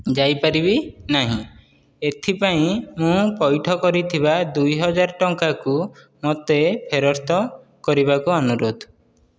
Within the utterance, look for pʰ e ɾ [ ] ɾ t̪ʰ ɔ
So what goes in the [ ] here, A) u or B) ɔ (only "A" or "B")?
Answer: B